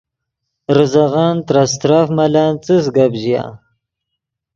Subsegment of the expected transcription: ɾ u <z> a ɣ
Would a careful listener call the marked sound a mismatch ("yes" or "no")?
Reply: no